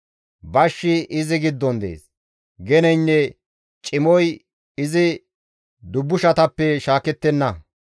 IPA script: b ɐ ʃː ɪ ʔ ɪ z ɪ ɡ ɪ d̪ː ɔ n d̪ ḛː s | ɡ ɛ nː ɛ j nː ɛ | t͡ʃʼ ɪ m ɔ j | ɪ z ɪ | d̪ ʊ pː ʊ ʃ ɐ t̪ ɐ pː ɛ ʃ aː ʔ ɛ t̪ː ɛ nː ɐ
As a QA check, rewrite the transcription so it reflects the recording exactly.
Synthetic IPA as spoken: b ɐ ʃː ɪ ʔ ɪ z ɪ ɡ ɪ d̪ː ɔ n d̪ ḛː s | ɡ ɛ n ɛ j nː ɛ | t͡ʃʼ ɪ m ɔ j | ɪ z ɪ | d̪ ʊ bː ʊ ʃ ɐ t̪ ɐ pː ɛ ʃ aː k ɛ t̪ː ɛ nː ɐ

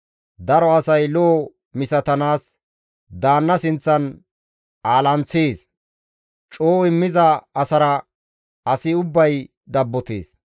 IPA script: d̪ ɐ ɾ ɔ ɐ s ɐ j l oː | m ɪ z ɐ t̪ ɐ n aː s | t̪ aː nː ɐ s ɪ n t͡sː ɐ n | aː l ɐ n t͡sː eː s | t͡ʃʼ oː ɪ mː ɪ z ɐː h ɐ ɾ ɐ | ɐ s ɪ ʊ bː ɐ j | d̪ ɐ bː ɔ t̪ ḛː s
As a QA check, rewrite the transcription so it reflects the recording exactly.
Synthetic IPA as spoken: d̪ ɐ ɾ ɔ ɐ s ɐ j l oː | m ɪ s ɐ t̪ ɐ n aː s | d̪ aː nː ɐ s ɪ n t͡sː ɐ n | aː l ɐ n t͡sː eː s | t͡ʃʼ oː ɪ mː ɪ z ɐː s ɐ ɾ ɐ | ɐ s ɪ ʊ bː ɐ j | d̪ ɐ bː ɔ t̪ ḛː s

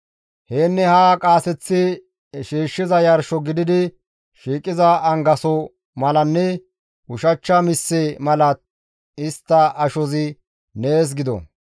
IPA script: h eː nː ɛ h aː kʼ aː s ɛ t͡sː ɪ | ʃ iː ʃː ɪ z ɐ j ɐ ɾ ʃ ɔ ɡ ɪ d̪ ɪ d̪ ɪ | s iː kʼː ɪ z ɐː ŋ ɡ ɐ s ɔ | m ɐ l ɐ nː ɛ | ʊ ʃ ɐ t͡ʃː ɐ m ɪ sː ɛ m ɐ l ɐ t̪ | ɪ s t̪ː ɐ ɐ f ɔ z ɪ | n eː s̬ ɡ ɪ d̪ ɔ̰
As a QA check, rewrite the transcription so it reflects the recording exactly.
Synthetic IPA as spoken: h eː nː ɛ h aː kʼ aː s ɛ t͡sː ɪ | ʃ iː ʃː ɪ z ɐ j ɐ ɾ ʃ ɔ ɡ ɪ d̪ ɪ d̪ ɪ | ʃ iː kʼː ɪ z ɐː ŋ ɡ ɐ s ɔ | m ɐ l ɐ nː ɛ | ʊ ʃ ɐ t͡ʃː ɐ m ɪ sː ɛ m ɐ l ɐ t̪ | ɪ s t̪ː ɐ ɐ ʃ ɔ z ɪ | n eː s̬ ɡ ɪ d̪ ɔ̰

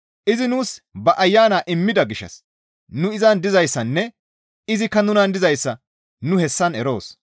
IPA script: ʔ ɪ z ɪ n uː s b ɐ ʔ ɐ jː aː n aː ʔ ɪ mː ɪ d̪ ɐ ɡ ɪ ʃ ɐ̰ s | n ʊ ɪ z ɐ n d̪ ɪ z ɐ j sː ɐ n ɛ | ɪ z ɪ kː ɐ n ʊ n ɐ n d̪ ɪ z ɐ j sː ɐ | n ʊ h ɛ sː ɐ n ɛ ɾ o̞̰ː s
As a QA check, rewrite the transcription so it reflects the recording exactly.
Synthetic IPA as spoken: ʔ ɪ z ɪ n uː s b ɐ ʔ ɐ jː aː n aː ʔ ɪ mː ɪ d̪ ɐ ɡ ɪ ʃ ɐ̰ s | n ʊ ɪ z ɐ n d̪ ɪ z ɐ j sː ɐ nː ɛ | ɪ z ɪ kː ɐ n ʊ n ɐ n d̪ ɪ z ɐ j sː ɐ | n ʊ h ɛ sː ɐ n ɛ ɾ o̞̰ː s

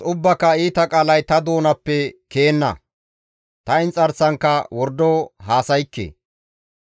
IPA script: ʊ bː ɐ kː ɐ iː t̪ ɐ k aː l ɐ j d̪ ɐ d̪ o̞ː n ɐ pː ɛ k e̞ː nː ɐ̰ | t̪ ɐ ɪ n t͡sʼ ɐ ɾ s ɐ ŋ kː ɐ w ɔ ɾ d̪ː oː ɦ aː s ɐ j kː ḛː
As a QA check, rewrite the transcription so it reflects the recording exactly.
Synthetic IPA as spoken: ʊ bː ɐ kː ɐ iː t̪ ɐ kʼ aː l ɐ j t̪ ɐ d̪ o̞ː n ɐ pː ɛ k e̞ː nː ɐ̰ | t̪ ɐ ɪ n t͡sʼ ɐ ɾ s ɐ ŋ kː ɐ w ɔ ɾ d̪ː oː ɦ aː s ɐ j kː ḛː

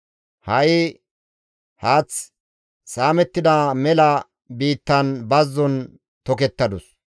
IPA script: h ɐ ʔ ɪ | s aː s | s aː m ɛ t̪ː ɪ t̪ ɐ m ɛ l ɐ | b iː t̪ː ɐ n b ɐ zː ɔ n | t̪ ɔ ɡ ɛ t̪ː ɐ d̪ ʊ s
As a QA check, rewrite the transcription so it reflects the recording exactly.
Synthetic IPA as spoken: h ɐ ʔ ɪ | h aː t͡s | s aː m ɛ t̪ː ɪ d̪ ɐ m ɛ l ɐ | b iː t̪ː ɐ n b ɐ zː ɔ n | t̪ ɔ k ɛ t̪ː ɐ d̪ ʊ s

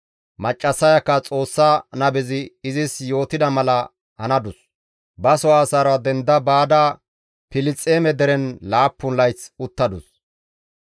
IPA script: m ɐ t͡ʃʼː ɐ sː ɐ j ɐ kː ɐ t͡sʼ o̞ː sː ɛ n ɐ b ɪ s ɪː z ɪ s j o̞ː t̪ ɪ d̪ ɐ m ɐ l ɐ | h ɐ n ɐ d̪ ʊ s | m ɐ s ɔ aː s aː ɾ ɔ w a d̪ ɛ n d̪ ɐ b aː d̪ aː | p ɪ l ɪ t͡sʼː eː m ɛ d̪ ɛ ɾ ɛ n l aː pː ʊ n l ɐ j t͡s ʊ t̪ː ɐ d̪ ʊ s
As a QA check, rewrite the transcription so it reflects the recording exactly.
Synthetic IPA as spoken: m ɐ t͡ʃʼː ɐ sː ɐ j ɐ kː ɐ t͡sʼ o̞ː sː a n ɐ b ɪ z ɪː z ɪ s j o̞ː t̪ ɪ d̪ ɐ m ɐ l ɐ | h ɐ n ɐ d̪ ʊ s | b ɐ s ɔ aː s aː ɾ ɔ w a d̪ ɛ n d̪ ɐ b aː d̪ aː | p ɪ l ɪ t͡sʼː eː m ɛ d̪ ɛ ɾ ɛ n l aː pː ʊ n l ɐ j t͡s ʊ t̪ː ɐ d̪ ʊ s

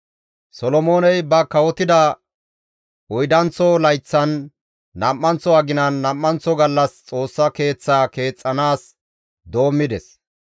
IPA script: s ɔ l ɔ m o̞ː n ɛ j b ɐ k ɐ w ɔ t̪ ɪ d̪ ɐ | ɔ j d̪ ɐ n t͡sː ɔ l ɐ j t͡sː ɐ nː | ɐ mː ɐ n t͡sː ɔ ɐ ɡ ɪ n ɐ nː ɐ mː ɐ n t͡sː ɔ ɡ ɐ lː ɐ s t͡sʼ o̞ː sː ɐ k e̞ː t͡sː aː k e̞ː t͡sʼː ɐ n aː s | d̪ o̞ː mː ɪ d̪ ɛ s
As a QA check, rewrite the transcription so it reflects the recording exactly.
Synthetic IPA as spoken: s ɔ l ɔ m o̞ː n ɛ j b ɐ k ɐ w ɔ t̪ ɪ d̪ ɐ | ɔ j d̪ ɐ n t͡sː ɔ l ɐ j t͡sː ɐ nː | ɐ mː ɐ n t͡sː ɔ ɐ ɡ ɪ n ɐ nː ɐ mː ɐ n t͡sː ɔ ɡ ɐ lː ɐ s t͡sʼ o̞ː sː ɐ k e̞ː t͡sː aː k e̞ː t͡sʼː ɐ n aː s | d̪ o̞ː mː ɪ d̪ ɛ s

